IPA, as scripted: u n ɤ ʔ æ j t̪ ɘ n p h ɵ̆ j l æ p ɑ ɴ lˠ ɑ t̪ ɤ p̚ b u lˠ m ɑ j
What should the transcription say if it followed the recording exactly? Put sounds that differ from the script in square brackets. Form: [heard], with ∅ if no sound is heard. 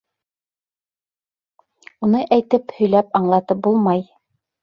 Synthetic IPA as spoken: u n ɤ ʔ æ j t̪ ɘ [∅] p h ɵ̆ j l æ p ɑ ɴ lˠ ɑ t̪ ɤ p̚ b u lˠ m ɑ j